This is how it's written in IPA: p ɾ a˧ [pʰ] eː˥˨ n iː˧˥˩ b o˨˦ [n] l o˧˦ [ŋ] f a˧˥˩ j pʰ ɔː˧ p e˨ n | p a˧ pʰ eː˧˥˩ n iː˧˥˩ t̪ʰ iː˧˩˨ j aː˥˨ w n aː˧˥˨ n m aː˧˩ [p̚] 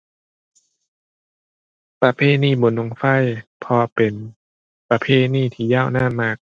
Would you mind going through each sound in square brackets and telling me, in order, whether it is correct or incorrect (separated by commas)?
correct, correct, correct, incorrect